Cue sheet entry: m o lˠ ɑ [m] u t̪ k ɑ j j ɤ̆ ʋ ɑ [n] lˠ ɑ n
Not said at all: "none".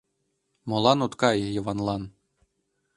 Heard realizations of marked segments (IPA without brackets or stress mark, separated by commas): n, n